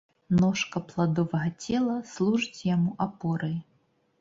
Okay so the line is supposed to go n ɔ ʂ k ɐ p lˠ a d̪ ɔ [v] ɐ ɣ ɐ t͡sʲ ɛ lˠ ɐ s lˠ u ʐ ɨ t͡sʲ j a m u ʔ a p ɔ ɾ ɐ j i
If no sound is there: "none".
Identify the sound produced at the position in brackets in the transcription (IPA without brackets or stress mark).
v